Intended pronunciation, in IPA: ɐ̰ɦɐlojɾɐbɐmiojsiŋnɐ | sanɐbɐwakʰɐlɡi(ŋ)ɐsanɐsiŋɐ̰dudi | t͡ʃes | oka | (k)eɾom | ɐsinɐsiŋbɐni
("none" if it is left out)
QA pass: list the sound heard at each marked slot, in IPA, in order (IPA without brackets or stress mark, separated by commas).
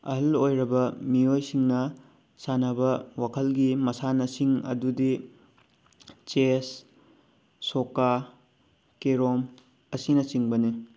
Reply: m, k